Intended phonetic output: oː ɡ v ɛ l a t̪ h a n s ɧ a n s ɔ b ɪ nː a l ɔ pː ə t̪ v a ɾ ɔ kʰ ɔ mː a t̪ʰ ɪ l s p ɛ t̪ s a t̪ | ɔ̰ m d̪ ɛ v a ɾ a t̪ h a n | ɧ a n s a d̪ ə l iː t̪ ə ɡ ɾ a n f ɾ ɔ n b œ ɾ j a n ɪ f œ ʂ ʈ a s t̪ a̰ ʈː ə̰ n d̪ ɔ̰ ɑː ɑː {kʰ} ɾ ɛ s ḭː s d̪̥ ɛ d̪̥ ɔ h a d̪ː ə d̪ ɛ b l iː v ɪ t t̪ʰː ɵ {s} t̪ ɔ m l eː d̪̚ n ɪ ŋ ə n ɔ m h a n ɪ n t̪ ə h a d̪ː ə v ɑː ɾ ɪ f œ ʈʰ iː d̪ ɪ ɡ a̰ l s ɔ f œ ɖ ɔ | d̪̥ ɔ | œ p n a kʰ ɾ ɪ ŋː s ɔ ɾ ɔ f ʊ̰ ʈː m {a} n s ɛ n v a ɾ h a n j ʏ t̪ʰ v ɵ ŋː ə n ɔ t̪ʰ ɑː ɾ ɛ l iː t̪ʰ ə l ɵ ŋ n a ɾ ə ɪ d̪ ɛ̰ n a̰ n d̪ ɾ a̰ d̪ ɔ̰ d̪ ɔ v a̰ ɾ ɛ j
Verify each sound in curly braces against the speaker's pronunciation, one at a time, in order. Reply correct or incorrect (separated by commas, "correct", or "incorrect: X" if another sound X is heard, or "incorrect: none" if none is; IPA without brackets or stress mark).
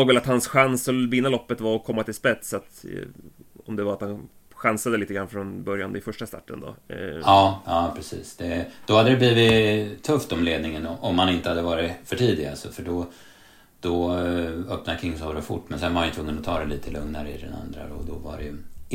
incorrect: pʰ, incorrect: f, incorrect: ɛ